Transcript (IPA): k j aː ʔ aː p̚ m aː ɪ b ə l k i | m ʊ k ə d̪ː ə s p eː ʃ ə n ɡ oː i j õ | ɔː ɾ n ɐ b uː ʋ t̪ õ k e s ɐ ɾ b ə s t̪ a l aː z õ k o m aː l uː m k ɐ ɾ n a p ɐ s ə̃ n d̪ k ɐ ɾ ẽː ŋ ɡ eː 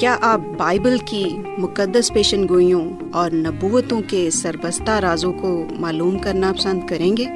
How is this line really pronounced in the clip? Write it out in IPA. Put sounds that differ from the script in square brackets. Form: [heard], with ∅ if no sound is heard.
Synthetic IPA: k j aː ʔ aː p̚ [b] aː ɪ b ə l k i | m ʊ k ə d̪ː ə s p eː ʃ ə n ɡ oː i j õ | ɔː ɾ n ɐ b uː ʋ t̪ õ k e s ɐ ɾ b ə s t̪ a [ɾ] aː z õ k o m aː l uː m k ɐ ɾ n a p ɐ s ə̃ n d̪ k ɐ ɾ ẽː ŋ ɡ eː